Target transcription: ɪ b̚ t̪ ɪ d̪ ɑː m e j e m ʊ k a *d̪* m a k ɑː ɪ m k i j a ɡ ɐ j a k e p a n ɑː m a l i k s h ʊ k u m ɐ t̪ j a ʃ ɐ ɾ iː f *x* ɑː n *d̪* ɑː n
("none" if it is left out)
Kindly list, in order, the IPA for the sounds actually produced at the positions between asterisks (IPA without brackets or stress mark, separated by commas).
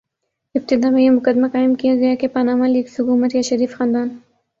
d̪, x, d̪